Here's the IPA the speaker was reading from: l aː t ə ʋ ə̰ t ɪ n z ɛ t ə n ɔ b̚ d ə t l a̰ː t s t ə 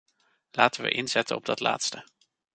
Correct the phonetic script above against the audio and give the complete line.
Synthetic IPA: l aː t ə ʋ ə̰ ʔ ɪ n z ɛ t ə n ɔ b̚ d ɑ t l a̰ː t s t ə